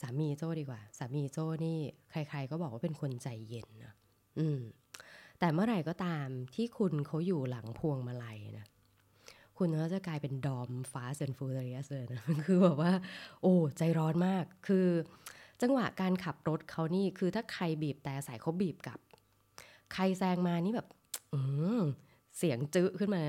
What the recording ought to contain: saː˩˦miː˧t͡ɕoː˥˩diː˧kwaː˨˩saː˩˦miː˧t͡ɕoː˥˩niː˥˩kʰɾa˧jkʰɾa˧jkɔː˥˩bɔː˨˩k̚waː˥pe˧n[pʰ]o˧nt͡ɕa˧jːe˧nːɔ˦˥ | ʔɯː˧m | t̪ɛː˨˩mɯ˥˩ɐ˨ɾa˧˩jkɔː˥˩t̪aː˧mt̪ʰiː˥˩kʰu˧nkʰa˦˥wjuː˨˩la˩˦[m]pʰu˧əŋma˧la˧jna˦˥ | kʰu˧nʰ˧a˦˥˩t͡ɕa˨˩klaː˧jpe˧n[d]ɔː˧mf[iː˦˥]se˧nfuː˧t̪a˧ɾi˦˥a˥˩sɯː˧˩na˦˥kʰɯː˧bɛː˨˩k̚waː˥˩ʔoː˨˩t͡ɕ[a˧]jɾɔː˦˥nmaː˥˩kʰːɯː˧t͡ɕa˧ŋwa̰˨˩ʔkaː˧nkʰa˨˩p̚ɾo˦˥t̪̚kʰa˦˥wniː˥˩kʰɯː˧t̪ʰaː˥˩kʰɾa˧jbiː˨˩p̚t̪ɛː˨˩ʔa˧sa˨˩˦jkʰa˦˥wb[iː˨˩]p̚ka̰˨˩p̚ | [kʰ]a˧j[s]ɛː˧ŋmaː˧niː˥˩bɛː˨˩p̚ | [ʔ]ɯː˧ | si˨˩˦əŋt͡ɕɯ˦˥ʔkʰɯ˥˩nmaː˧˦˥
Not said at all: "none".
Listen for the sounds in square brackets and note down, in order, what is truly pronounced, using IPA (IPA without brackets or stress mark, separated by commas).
kʰ, ŋ, d, aː˦˥, a˧, iː˨˩, kʰ, s, ʔ